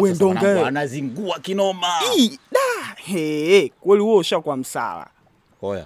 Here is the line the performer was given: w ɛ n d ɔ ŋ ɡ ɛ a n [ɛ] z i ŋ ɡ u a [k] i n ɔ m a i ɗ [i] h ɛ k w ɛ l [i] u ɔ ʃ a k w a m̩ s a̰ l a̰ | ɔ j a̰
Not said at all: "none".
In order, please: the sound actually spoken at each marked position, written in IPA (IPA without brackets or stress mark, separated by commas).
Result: a, k, a, i